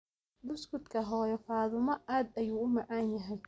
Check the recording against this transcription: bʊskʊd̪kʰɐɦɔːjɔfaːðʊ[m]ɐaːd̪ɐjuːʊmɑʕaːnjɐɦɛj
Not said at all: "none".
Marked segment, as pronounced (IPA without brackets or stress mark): m